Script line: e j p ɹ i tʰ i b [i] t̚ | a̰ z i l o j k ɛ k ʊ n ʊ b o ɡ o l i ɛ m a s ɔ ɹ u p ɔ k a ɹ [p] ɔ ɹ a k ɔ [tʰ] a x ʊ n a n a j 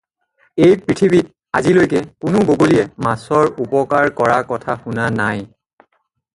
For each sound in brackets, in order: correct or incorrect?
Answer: correct, incorrect, correct

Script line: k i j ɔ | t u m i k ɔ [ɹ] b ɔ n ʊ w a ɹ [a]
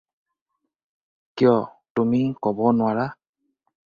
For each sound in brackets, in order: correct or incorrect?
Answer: incorrect, correct

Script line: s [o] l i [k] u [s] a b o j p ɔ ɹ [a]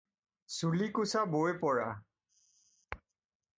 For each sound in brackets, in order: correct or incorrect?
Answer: incorrect, correct, correct, correct

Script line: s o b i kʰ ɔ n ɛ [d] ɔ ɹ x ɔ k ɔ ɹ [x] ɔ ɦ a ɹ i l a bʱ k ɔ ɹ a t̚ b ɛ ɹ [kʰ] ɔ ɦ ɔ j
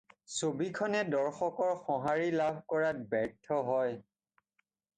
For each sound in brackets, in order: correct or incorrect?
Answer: correct, correct, incorrect

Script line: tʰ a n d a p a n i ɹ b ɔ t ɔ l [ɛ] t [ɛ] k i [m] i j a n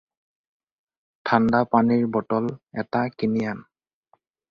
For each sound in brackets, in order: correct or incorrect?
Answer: correct, incorrect, incorrect

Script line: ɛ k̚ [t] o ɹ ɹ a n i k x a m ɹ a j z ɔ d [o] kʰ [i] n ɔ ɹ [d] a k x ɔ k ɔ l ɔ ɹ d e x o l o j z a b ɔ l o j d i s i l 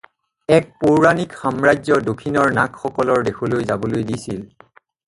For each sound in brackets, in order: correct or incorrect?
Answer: incorrect, correct, correct, incorrect

